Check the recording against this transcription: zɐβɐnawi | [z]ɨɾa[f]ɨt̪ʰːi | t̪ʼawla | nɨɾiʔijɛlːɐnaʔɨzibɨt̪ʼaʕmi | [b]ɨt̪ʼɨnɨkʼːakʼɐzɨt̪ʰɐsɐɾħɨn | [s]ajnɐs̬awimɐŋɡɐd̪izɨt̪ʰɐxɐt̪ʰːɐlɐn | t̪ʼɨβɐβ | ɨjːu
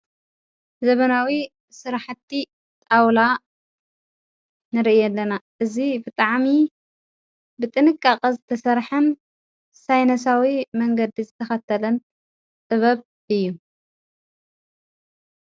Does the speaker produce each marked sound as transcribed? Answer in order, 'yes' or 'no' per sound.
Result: no, no, yes, yes

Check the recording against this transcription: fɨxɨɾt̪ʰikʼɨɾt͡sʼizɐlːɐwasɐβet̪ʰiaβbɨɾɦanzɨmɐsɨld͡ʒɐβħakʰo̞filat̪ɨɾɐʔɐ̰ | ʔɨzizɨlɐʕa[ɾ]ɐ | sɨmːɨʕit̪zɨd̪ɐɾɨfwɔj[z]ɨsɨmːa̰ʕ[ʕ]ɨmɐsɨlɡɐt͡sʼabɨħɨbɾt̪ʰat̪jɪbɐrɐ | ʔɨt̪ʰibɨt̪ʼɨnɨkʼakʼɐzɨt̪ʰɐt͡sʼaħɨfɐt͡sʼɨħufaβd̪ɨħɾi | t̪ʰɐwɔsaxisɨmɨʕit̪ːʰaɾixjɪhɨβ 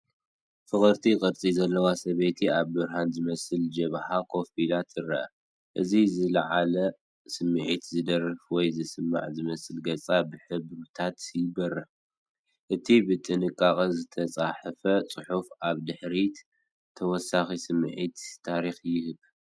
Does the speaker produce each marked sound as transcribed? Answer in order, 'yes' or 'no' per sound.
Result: no, yes, no

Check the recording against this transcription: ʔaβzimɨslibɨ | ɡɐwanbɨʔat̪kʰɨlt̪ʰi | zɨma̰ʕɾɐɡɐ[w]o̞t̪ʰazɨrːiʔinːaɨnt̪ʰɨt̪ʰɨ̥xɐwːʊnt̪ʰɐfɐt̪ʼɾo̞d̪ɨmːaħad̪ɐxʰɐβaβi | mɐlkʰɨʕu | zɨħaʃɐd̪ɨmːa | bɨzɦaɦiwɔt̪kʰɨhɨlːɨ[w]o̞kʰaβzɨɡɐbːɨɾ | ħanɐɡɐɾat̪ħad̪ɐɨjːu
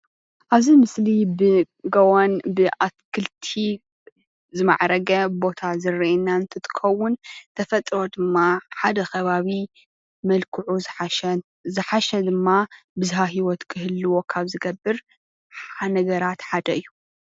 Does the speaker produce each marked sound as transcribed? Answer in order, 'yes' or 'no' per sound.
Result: no, yes

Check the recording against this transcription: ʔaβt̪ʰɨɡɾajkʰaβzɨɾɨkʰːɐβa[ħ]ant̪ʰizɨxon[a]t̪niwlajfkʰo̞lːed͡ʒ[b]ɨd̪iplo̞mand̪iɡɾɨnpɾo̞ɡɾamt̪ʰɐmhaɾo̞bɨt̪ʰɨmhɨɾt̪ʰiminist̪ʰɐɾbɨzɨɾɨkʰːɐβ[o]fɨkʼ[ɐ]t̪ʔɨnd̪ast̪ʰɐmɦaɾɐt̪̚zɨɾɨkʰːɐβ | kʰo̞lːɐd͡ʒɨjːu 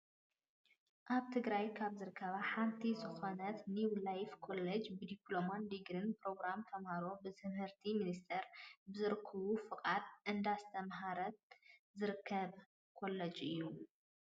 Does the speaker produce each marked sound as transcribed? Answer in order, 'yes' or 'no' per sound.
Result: yes, no, yes, no, no

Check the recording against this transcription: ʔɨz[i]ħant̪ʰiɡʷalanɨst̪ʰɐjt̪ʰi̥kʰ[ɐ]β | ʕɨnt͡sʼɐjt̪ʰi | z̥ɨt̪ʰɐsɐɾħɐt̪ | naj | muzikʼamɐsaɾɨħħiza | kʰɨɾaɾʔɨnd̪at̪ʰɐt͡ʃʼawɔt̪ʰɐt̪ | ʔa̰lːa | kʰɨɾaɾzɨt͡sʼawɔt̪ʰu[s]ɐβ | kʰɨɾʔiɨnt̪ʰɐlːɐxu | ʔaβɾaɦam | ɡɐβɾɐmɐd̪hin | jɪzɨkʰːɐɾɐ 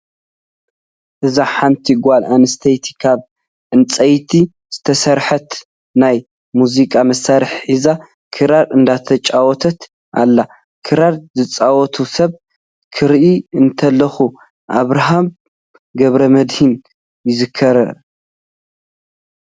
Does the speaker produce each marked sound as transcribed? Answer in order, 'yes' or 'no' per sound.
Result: no, no, yes

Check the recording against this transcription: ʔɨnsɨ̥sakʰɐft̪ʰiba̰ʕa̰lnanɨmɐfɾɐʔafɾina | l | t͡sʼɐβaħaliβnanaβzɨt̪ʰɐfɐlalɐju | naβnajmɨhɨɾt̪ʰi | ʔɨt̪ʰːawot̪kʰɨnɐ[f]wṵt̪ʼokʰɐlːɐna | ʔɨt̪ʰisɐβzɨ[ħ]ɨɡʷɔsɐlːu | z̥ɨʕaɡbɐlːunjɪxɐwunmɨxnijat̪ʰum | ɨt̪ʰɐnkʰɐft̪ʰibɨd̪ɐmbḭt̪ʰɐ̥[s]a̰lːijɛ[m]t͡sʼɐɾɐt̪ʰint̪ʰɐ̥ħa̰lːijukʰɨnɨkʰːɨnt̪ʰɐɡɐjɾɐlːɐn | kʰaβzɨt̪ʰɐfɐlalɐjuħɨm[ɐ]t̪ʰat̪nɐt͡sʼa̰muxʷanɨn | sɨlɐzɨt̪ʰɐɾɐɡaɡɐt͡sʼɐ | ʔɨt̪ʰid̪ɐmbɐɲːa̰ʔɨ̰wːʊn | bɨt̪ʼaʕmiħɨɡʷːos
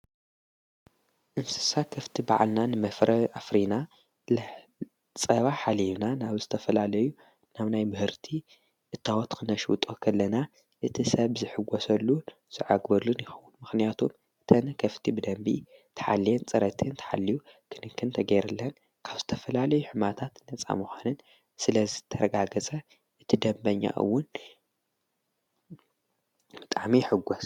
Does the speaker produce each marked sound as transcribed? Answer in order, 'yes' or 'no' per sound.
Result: no, yes, no, no, no

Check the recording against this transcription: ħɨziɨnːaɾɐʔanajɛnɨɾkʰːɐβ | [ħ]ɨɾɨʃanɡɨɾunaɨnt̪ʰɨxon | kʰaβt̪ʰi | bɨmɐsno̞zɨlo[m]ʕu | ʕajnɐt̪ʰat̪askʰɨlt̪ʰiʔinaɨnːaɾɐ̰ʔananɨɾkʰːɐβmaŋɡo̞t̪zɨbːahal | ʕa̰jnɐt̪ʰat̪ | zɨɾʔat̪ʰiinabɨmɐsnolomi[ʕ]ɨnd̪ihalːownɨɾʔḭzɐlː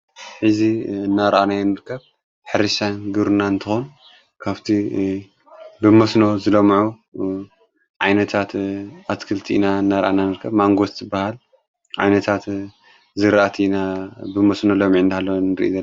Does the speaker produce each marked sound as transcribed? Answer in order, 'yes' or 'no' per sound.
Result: yes, yes, yes

